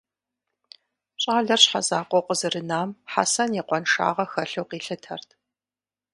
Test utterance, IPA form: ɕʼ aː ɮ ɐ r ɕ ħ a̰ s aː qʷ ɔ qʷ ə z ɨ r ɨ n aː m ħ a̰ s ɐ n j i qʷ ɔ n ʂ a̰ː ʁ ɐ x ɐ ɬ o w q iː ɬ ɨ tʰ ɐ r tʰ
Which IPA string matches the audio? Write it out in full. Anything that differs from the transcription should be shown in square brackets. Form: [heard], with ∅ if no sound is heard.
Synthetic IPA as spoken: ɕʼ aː ɮ ɐ r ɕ ħ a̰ [z] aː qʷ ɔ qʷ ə z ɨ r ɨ n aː m ħ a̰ s ɐ n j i qʷ ɔ n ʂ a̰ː ʁ ɐ x ɐ ɬ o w q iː ɬ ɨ tʰ ɐ r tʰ